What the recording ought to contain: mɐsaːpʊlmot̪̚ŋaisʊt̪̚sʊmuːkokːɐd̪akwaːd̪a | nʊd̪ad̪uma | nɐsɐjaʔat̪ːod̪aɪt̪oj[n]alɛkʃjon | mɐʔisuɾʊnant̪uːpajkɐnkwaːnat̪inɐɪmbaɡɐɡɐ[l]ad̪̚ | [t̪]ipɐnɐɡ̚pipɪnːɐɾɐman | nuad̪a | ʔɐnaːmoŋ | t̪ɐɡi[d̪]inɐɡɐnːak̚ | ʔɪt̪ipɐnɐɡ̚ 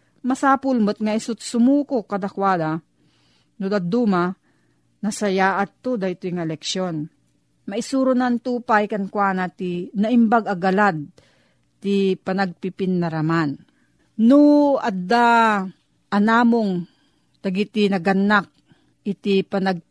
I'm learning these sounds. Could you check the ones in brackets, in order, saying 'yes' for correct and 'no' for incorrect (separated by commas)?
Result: no, yes, yes, no